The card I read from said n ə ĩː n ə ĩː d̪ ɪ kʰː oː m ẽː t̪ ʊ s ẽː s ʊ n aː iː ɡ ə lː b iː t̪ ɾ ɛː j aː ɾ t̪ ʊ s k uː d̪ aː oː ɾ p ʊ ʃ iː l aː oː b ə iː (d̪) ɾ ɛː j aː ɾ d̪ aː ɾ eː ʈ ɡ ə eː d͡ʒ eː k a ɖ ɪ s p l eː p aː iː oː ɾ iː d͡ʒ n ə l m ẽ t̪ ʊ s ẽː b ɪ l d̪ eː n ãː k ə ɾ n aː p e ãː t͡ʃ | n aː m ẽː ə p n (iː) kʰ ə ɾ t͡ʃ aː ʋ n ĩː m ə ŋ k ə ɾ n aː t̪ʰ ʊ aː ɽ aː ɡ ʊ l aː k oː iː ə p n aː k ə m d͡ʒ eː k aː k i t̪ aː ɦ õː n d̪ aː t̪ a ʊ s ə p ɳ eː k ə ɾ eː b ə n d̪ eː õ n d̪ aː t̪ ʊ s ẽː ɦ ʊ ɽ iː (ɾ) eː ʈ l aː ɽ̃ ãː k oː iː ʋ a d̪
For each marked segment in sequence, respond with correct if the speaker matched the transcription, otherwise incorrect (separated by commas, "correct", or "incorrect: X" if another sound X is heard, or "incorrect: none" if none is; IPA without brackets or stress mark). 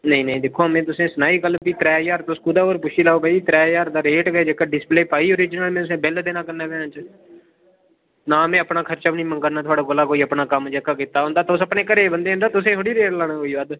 incorrect: t̪, incorrect: aː, correct